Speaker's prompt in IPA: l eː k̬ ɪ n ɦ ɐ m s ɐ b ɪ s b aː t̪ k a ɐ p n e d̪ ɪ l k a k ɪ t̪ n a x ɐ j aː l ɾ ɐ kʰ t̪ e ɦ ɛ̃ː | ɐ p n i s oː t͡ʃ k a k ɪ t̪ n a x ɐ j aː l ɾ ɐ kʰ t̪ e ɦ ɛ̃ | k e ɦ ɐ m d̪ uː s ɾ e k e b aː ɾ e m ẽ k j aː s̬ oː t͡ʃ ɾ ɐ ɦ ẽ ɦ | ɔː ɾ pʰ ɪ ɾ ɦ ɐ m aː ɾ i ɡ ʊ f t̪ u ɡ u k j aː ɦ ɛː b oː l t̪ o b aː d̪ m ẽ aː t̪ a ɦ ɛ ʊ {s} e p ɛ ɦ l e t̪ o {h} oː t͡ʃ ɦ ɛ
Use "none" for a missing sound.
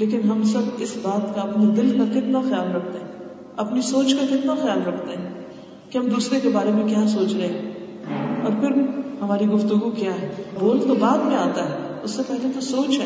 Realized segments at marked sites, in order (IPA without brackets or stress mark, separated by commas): sː, s